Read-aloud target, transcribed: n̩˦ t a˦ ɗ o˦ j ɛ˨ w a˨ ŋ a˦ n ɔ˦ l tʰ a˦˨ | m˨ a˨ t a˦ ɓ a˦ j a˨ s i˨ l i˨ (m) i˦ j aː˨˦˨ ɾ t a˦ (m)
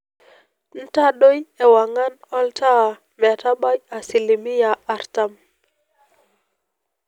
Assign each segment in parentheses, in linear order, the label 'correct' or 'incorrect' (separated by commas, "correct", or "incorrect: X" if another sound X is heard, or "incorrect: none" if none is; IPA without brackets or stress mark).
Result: correct, correct